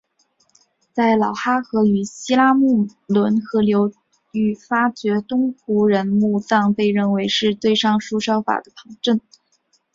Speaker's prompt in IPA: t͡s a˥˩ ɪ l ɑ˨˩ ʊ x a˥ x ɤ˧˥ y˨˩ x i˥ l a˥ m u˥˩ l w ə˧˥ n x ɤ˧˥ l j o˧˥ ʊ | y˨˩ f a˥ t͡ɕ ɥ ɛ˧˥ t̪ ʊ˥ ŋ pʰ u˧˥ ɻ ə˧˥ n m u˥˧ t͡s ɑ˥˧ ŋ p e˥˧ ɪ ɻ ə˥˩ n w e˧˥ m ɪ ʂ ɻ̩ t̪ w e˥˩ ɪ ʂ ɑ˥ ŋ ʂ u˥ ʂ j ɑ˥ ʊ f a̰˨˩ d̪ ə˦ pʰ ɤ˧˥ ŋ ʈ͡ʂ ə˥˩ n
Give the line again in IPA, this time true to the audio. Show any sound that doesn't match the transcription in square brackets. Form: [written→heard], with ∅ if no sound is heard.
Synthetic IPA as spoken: t͡s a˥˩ ɪ l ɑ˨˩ ʊ x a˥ x ɤ˧˥ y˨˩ [x→ɕ] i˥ l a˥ m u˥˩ l w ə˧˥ n x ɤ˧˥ l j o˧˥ ʊ | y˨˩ f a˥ t͡ɕ ɥ ɛ˧˥ t̪ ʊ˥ ŋ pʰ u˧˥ ɻ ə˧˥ n m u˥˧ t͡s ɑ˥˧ ŋ p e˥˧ ɪ ɻ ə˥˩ n w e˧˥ [m→∅] ɪ ʂ ɻ̩ t̪ w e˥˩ ɪ ʂ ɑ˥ ŋ ʂ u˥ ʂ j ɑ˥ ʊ f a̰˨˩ d̪ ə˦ pʰ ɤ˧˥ ŋ ʈ͡ʂ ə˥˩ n